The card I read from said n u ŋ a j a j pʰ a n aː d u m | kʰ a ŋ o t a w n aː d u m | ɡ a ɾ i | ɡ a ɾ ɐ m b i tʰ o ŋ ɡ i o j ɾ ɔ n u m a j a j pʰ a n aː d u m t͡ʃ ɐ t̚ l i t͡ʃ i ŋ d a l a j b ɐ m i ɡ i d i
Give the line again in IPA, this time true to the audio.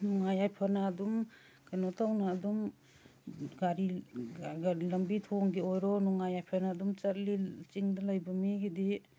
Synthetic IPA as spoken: n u ŋ a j a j pʰ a n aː d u m | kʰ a n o t a w n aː d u m | ɡ a ɾ i | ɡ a l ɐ m b i tʰ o ŋ ɡ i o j ɾ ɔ n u ŋ a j a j pʰ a n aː d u m t͡ʃ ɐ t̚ l i t͡ʃ i ŋ d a l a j b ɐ m i ɡ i d i